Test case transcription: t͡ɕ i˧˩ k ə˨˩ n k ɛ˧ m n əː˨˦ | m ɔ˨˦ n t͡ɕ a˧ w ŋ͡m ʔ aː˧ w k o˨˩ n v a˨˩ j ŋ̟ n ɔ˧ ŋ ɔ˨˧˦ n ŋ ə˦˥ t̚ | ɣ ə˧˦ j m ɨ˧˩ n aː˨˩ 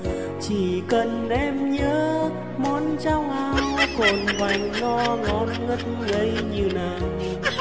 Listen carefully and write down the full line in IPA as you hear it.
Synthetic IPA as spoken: t͡ɕ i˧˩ k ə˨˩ n ʔ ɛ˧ m ɲ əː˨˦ | m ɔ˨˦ n t͡ɕ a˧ w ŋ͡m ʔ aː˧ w k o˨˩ n v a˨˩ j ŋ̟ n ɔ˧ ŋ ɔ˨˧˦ n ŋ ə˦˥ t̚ | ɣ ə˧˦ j ɲ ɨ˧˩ n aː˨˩

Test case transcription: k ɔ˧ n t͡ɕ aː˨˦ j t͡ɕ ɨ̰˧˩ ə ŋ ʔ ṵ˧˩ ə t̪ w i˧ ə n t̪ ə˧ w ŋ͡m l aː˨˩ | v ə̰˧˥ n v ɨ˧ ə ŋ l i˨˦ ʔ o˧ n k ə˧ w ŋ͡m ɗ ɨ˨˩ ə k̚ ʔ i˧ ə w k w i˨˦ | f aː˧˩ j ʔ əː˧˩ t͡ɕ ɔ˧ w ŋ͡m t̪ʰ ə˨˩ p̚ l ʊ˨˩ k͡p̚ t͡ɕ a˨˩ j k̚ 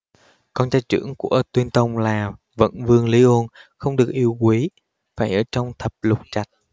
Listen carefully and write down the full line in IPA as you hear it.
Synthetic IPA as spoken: k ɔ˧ n t͡ɕ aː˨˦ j t͡ɕ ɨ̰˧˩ ə ŋ k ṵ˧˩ ə t̪ w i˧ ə n t̪ ə˧ w ŋ͡m l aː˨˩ | v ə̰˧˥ n v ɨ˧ ə ŋ l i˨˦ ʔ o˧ n x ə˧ w ŋ͡m ɗ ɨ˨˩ ə k̚ ʔ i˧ ə w k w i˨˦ | f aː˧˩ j ʔ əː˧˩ t͡ɕ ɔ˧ w ŋ͡m t̪ʰ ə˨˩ p̚ l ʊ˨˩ k͡p̚ t͡ɕ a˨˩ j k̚

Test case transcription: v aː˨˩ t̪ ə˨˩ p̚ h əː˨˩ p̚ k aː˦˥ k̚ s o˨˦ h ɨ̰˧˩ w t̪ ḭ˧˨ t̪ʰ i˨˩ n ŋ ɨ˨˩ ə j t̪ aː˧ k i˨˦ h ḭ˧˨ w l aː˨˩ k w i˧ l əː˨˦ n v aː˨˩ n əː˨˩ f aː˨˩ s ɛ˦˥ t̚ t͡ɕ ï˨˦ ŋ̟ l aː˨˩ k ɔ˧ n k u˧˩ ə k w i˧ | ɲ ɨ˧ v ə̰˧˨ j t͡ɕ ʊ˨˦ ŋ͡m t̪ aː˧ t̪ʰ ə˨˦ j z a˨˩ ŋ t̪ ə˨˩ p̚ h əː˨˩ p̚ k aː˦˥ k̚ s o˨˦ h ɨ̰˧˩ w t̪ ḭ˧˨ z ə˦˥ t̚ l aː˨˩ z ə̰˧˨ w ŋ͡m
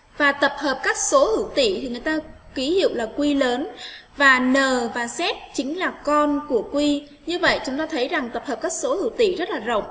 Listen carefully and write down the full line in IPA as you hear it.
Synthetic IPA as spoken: v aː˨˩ t̪ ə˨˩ p̚ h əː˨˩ p̚ k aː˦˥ k̚ s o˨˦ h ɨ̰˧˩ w t̪ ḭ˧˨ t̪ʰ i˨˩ ŋ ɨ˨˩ ə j t̪ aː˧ k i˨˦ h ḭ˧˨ w l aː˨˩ k w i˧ l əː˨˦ n v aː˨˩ n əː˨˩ v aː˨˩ s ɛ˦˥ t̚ t͡ɕ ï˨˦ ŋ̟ l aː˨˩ k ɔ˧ n k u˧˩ ə k w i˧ | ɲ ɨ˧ v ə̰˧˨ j t͡ɕ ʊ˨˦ ŋ͡m t̪ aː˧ t̪ʰ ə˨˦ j z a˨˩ ŋ t̪ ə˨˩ p̚ h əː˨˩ p̚ k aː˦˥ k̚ s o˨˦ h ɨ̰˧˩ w t̪ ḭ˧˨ z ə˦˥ t̚ l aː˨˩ z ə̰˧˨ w ŋ͡m

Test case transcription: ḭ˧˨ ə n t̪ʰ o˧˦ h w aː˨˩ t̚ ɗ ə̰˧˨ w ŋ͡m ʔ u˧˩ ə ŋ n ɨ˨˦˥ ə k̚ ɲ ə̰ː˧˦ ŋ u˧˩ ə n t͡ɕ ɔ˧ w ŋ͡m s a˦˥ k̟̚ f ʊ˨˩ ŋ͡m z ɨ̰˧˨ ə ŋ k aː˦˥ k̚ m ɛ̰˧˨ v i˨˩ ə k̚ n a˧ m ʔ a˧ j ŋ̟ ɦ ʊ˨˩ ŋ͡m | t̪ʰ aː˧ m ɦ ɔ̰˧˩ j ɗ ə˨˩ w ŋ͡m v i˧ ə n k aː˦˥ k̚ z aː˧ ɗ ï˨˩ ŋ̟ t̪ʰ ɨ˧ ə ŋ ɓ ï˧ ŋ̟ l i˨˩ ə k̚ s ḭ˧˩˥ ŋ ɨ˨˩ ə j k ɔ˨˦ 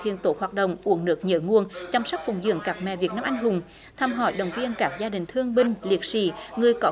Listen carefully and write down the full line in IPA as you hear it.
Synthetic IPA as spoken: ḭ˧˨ ə n t̪ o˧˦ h w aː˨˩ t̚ ɗ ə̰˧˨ w ŋ͡m ʔ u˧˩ ə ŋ n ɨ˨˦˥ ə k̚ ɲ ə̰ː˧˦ ŋ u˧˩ ə n t͡ɕ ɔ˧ w ŋ͡m s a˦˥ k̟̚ f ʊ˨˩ ŋ͡m z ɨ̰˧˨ ə ŋ k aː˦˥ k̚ m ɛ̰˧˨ v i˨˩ ə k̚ n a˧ m ʔ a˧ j ŋ̟ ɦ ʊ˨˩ ŋ͡m | t̪ʰ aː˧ m ɦ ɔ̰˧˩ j ɗ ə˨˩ w ŋ͡m v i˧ ə n k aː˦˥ k̚ z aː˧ ɗ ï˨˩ ŋ̟ t̪ʰ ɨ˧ ə ŋ ɓ ï˧ ŋ̟ l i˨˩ ə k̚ s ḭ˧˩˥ ŋ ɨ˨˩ ə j k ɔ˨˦

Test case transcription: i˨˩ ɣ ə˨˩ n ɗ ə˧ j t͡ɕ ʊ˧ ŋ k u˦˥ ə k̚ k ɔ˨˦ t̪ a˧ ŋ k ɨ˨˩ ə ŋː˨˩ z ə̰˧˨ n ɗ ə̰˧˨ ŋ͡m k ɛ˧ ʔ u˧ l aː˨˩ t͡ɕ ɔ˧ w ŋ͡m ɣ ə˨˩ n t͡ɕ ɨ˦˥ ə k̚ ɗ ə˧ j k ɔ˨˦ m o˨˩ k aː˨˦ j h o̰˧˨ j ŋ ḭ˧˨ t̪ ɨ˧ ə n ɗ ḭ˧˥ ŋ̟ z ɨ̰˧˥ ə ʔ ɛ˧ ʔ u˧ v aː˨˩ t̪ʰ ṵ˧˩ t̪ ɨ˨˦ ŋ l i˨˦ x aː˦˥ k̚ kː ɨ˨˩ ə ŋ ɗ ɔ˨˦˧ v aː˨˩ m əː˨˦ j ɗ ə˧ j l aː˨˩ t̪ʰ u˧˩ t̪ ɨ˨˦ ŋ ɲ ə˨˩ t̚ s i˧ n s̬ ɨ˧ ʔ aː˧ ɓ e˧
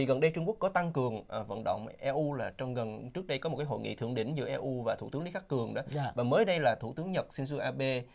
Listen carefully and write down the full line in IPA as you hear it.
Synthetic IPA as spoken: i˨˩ ɣ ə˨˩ n ɗ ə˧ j t͡ɕ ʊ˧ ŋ k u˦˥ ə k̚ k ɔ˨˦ t̪ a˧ ŋ k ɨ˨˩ ə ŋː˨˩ v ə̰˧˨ n ɗ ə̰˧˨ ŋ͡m ʔ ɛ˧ ʔ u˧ l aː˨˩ t͡ɕ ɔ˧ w ŋ͡m ɣ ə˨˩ n t͡ɕ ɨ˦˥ ə k̚ ɗ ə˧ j k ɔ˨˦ m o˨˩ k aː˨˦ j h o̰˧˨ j ŋ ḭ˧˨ t̪ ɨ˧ ə ŋ ɗ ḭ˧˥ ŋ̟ z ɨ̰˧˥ ə ʔ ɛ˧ ʔ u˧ v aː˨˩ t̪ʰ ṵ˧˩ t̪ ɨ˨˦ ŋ l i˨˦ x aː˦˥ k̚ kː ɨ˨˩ ə ŋ ɗ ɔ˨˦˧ v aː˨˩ m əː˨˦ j ɗ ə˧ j l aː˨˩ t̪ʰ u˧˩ t̪ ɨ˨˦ ŋ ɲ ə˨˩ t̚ s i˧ n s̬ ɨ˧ ʔ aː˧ ɓ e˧

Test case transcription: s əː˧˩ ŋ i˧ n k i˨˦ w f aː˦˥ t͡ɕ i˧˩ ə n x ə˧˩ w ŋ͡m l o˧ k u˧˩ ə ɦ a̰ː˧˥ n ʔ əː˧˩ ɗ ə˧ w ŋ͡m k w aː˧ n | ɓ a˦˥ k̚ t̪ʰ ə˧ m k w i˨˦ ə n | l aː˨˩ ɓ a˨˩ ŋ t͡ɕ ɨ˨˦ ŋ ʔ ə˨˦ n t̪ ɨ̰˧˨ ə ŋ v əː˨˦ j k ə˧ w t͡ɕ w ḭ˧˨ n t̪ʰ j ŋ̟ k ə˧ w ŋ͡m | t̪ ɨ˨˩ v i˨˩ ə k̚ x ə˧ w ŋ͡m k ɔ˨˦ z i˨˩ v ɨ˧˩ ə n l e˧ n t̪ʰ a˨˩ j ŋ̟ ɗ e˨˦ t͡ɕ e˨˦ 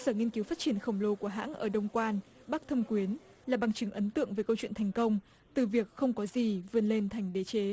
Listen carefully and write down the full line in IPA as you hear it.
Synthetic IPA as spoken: s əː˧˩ ŋ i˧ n k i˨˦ w f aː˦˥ t͡ɕ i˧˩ ə n x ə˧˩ w ŋ͡m l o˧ k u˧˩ ə ɦ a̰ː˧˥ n ʔ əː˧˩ ɗ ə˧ w ŋ͡m k w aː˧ n | ɓ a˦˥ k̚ t̪ʰ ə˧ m k w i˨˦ ə n | l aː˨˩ ɓ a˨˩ ŋ t͡ɕ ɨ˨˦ ŋ ʔ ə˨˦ n t̪ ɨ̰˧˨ ə ŋ v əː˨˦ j k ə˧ w t͡ɕ w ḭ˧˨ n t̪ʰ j ŋ̟ k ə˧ w ŋ͡m | t̪ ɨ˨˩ v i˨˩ ə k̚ x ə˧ w ŋ͡m k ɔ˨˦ z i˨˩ v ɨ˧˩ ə n l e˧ n t̪ʰ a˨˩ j ŋ̟ ɗ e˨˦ t͡ɕ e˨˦

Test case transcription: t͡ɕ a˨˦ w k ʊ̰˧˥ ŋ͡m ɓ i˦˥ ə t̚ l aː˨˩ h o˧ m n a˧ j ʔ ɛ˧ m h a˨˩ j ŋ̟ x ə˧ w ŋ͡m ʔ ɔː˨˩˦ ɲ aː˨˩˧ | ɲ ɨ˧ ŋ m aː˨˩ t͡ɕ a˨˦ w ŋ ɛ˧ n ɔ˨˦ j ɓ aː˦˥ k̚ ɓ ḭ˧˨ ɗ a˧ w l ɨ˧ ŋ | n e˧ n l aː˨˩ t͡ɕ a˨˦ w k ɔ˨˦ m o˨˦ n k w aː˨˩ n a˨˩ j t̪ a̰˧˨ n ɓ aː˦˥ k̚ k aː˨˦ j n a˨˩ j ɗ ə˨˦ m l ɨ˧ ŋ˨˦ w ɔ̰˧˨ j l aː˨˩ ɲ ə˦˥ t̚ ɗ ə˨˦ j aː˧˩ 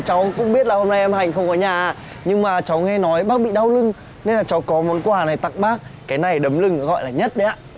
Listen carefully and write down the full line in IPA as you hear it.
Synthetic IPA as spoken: t͡ɕ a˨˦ w k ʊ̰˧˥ ŋ͡m ɓ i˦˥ ə t̚ l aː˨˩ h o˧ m n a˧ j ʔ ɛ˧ m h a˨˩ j ŋ̟ x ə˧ w ŋ͡m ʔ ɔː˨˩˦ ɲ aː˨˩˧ | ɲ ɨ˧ ŋ m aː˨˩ t͡ɕ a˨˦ w ŋ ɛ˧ n ɔ˨˦ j ɓ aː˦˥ k̚ ɓ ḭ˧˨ ɗ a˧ w l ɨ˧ ŋ | n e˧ n l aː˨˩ t͡ɕ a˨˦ w k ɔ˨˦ m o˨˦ n k w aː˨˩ n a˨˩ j t̪ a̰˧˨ ŋ ɓ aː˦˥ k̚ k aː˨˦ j n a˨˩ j ɗ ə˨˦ m l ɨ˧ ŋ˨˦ ɣ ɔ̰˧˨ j l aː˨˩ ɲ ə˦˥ t̚ ɗ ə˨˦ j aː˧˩

